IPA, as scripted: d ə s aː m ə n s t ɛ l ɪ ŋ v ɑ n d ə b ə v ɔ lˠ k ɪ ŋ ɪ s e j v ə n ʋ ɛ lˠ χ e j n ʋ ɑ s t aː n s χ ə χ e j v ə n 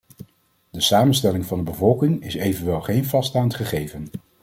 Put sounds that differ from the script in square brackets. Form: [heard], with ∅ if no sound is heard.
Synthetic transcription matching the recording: d ə s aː m ə n s t ɛ l ɪ ŋ v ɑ n d ə b ə v ɔ lˠ k ɪ ŋ ɪ s e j v ə n ʋ ɛ lˠ χ e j n [v] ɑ s t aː n [t] χ ə χ e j v ə n